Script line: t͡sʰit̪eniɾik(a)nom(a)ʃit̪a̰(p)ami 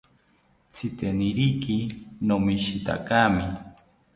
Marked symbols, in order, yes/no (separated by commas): no, no, no